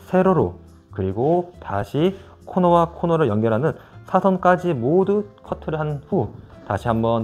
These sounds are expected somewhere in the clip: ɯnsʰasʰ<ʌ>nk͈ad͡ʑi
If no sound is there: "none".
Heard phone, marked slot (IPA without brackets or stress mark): ʌ